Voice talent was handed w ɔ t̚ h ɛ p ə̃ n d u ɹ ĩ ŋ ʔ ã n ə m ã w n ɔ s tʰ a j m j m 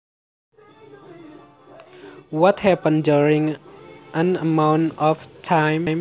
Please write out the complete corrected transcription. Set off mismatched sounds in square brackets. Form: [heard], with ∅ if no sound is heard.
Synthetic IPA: w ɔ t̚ h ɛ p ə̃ n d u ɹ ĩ ŋ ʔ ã n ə m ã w n ɔ [f] tʰ a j m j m